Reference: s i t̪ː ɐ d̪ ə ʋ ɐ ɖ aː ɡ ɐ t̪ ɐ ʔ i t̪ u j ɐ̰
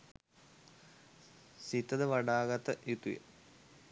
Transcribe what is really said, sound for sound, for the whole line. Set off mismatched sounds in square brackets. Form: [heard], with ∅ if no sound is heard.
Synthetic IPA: s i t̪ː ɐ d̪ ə ʋ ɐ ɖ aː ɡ ɐ t̪ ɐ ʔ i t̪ u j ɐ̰